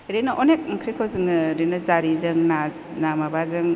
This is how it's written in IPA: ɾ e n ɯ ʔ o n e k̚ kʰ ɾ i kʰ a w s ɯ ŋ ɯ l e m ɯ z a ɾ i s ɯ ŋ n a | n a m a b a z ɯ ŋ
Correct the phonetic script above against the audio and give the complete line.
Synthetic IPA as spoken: ɾ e n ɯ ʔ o n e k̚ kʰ ɾ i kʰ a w z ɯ ŋ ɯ ɾ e n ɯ z a ɾ i z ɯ ŋ n a | n a m a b a z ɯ ŋ